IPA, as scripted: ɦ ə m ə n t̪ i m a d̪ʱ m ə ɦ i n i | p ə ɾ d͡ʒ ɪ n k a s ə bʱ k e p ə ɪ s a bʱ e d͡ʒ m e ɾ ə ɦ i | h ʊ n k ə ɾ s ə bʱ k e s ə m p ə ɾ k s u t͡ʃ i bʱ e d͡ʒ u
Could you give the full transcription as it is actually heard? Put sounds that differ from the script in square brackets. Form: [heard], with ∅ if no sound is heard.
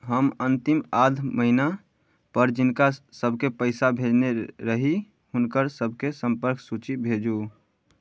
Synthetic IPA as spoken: ɦ ə m ə n t̪ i m a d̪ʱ m ə ɦ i n [a] | p ə ɾ d͡ʒ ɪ n k a s ə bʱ k e p ə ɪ s a bʱ e d͡ʒ [n] e ɾ ə ɦ i | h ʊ n k ə ɾ s ə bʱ k e s ə m p ə ɾ k s u t͡ʃ i bʱ e d͡ʒ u